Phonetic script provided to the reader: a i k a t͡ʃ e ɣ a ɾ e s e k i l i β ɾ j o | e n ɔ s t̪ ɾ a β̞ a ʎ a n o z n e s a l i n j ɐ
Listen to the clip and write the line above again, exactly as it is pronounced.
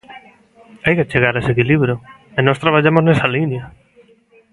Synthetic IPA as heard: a j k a t͡ʃ e ɣ a ɾ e s e k i l i β ɾ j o | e n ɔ s t̪ ɾ a β̞ a ʎ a m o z n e s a l i n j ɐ